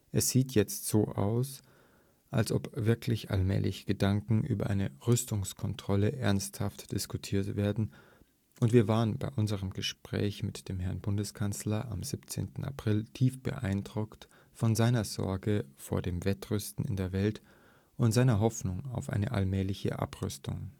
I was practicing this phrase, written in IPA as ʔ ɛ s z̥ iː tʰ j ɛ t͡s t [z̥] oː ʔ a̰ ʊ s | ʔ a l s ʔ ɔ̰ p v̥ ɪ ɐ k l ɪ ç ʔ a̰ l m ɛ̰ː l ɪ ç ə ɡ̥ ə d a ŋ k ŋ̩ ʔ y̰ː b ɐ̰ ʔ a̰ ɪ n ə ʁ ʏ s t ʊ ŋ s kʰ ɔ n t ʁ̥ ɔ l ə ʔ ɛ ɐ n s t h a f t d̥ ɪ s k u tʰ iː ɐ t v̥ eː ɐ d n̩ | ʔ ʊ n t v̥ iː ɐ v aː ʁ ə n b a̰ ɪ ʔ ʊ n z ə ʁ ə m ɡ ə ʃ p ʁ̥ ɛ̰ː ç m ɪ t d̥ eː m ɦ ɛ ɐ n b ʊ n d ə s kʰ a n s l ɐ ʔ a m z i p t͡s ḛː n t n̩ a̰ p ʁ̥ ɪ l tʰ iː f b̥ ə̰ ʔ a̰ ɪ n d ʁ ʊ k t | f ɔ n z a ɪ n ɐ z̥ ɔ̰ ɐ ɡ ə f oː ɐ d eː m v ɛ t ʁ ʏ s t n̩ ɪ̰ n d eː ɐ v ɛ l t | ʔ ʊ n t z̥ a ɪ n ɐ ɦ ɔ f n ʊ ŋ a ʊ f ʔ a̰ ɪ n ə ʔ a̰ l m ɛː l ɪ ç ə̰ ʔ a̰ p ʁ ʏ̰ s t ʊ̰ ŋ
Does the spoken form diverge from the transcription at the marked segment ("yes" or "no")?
no